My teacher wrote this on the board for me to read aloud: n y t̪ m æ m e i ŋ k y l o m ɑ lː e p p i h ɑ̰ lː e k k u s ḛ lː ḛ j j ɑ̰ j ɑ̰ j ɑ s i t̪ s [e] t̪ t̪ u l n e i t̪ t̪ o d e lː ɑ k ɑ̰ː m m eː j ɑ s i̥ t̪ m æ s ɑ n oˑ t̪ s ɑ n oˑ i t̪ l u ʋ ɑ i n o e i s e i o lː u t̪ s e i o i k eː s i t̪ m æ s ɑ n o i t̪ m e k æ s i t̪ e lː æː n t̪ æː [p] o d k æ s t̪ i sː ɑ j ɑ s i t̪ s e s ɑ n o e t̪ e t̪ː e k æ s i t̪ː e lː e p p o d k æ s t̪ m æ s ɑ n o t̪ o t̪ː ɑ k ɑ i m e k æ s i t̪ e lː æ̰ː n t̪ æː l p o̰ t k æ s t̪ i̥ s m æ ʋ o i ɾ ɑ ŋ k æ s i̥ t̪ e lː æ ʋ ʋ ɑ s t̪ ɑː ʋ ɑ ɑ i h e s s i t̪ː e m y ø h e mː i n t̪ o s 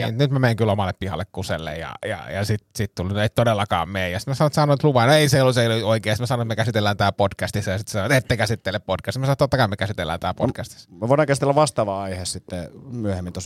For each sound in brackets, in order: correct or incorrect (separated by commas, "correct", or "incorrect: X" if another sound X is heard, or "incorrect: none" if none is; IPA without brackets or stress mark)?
incorrect: i, correct